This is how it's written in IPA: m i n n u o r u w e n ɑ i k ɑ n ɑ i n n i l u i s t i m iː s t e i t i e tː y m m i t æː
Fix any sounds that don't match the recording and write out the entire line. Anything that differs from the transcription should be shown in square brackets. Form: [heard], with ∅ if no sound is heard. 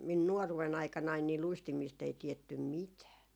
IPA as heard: m i n n u o r u w e n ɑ i k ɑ n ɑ i n n i l u i s t i m iː s t e i t i e tː y m m i t æː